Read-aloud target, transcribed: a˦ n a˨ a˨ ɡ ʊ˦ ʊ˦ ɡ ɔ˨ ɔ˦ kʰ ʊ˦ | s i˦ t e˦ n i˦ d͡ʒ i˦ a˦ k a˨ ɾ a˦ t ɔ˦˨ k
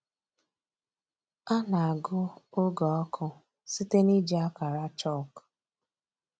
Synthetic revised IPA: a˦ n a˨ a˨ ɡ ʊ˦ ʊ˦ ɡ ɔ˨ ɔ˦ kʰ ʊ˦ | s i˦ t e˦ n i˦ d͡ʒ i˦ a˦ k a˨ ɾ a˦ t͡ʃ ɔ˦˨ k